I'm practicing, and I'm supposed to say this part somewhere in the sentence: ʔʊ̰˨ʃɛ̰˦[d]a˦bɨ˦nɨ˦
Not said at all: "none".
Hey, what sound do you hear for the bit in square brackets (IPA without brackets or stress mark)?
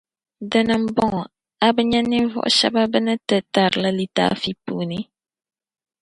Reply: b